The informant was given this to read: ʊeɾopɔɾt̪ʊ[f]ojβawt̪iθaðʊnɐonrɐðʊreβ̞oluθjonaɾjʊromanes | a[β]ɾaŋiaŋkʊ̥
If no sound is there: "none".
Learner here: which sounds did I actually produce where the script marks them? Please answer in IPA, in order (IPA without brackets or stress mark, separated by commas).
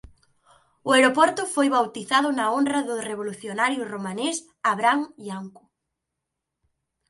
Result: f, β